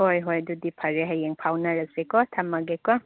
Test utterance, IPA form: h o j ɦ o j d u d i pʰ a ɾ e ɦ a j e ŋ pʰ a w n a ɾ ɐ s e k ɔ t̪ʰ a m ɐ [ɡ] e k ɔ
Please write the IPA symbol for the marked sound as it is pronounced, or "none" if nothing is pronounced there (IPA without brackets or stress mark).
ɡ